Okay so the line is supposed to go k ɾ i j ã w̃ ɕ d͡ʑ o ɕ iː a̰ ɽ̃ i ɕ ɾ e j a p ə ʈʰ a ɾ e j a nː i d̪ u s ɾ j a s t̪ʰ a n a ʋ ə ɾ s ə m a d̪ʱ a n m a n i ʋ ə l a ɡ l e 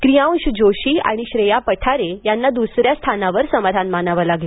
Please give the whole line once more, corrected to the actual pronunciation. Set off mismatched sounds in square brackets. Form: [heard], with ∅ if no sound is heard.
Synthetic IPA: k ɾ i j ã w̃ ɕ d͡ʑ o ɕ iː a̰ ɽ̃ i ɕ ɾ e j a p ə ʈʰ a ɾ e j a nː [a] d̪ u s ɾ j a s t̪ʰ a n a ʋ ə ɾ s ə m a d̪ʱ a n m a n [a] ʋ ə l a ɡ l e